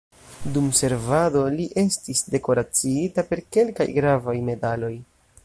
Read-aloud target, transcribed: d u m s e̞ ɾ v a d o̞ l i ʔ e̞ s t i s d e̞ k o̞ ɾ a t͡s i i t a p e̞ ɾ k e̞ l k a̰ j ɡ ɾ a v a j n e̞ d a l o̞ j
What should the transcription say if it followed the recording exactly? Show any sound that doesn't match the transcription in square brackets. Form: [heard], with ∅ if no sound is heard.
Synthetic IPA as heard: d u m s e̞ ɾ v a d o̞ l i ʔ e̞ s t i s d e̞ k o̞ ɾ a t͡s i i t a p e̞ ɾ k e̞ l k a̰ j ɡ ɾ a v a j [m] e̞ d a l o̞ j